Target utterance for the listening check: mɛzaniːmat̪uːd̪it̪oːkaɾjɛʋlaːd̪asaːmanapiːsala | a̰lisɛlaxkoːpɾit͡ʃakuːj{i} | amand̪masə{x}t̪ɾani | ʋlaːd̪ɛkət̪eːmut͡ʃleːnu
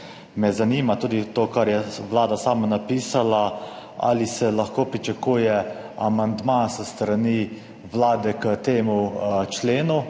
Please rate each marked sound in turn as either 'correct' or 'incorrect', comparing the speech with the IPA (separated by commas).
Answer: incorrect, incorrect